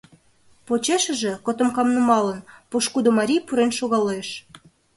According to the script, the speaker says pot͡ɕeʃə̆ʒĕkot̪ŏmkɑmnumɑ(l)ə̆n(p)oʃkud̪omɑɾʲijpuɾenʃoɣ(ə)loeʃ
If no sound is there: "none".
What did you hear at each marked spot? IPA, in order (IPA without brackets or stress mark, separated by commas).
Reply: l, p, ɑ